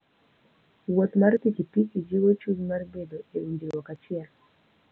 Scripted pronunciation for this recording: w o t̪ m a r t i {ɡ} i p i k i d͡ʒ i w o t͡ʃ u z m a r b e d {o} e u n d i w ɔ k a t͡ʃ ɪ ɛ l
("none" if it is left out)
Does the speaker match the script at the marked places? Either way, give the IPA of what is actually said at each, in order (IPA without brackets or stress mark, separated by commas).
k, o